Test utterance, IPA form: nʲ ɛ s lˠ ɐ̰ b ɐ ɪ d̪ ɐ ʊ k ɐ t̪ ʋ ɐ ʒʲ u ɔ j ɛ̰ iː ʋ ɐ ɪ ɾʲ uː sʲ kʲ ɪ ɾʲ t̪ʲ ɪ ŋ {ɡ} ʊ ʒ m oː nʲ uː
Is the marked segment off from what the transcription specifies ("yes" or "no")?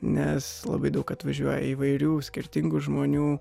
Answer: no